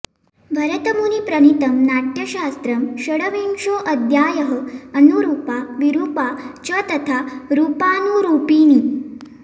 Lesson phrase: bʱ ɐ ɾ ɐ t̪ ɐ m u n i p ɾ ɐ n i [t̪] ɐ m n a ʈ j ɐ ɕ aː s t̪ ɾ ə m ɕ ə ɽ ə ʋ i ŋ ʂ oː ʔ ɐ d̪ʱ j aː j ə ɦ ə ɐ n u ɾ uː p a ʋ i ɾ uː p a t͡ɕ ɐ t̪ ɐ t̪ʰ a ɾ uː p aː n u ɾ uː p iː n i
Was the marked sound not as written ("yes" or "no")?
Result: no